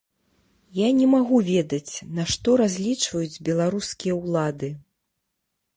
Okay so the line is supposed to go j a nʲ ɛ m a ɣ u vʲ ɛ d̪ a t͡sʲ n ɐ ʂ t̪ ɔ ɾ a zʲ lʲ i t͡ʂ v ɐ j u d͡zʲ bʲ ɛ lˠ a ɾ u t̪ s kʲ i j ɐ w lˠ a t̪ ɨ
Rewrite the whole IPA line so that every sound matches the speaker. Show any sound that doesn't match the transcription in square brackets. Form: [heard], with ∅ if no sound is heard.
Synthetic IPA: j a nʲ ɛ m a ɣ u vʲ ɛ d̪ [ɐ] t͡sʲ n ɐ ʂ t̪ ɔ ɾ a zʲ lʲ i t͡ʂ v ɐ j u d͡zʲ bʲ ɛ lˠ a ɾ u [∅] s kʲ i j ɐ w lˠ a [d̪] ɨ